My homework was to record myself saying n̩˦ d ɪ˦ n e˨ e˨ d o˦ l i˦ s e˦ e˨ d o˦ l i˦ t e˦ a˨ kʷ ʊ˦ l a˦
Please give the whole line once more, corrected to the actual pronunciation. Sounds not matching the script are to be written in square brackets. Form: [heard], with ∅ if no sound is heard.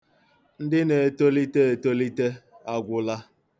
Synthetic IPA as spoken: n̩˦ d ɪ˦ n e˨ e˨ [t] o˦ l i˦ [t] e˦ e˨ [t] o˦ l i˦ t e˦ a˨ [ɡʷ] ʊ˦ l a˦